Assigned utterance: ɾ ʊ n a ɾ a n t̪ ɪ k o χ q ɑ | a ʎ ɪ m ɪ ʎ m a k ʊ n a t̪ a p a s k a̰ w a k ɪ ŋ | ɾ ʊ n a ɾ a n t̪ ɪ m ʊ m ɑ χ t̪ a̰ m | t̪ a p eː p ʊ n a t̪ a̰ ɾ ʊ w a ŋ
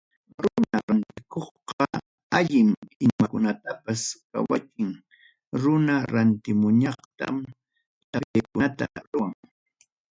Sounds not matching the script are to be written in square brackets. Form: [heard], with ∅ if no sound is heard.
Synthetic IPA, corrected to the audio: ɾ ʊ n a ɾ a n t̪ ɪ k o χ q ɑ | a ʎ ɪ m ɪ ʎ m a k ʊ n a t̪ a p a s k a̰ w a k ɪ ŋ | ɾ ʊ n a ɾ a n t̪ ɪ m ʊ [ɲ] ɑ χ t̪ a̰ m | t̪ a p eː [k] ʊ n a t̪ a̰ ɾ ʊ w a ŋ